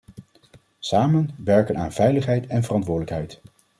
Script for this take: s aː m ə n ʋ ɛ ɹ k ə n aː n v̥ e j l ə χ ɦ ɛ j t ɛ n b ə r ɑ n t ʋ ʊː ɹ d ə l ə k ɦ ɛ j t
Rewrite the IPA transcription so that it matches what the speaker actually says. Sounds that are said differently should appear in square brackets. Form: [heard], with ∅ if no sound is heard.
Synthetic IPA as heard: s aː m ə n ʋ ɛ ɹ k ə n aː n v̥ [ɛ] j l ə χ ɦ ɛ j t ɛ n [v] ə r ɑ n t ʋ ʊː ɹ d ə l ə k ɦ ɛ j t